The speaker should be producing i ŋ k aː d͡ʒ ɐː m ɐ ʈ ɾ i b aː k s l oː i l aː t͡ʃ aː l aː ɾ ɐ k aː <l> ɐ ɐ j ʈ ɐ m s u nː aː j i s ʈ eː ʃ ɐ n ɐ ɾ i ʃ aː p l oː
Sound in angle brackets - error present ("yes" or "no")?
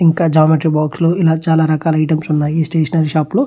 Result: no